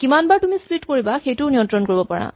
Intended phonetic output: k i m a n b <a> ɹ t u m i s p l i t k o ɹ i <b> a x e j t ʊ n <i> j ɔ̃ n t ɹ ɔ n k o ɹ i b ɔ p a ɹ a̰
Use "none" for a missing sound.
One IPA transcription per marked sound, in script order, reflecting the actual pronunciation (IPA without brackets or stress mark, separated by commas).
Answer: a, b, i